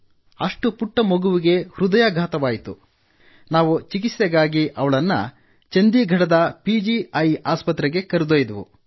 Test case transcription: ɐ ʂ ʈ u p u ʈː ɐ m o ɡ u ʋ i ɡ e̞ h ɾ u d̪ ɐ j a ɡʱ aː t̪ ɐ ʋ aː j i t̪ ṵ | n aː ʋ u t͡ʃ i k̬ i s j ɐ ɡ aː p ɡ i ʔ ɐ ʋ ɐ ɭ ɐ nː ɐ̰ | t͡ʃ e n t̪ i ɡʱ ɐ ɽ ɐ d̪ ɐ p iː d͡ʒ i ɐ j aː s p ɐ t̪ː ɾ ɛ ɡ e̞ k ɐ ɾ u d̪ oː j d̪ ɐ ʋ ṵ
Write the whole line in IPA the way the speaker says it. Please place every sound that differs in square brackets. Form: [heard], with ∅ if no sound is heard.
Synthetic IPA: ɐ ʂ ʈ u p u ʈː ɐ m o ɡ u ʋ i ɡ e̞ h ɾ u d̪ ɐ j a ɡʱ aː t̪ ɐ ʋ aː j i t̪ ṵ | n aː ʋ u t͡ʃ i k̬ i s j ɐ ɡ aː [∅] ɡ i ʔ ɐ ʋ ɐ ɭ ɐ nː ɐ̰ | t͡ʃ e n [d̪] i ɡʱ ɐ ɽ ɐ d̪ ɐ p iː d͡ʒ i ɐ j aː s p ɐ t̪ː ɾ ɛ ɡ e̞ k ɐ ɾ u d̪ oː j d̪ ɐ ʋ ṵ